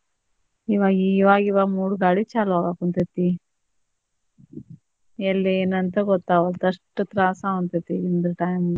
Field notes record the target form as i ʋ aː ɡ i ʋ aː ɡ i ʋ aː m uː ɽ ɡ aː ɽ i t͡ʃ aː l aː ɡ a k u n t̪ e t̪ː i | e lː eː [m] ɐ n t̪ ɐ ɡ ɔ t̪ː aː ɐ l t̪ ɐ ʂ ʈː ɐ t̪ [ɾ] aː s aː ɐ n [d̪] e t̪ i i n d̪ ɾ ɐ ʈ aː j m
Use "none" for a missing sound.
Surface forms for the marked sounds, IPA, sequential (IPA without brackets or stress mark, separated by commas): n, ɾ, t̪